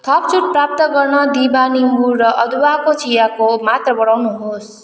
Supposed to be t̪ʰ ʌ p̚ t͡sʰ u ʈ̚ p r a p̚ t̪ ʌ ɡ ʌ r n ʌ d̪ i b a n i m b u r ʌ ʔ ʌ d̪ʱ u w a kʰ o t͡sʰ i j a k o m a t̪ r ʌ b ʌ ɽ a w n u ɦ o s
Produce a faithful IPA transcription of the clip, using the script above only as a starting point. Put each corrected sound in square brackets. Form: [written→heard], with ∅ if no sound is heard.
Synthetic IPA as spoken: t̪ʰ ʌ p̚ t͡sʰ u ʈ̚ p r a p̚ t̪ ʌ ɡ ʌ r n ʌ d̪ i b a n i m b u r ʌ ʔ ʌ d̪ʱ u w a [kʰ→k] o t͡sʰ i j a k o m a t̪ r ʌ b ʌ ɽ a w n u ɦ o s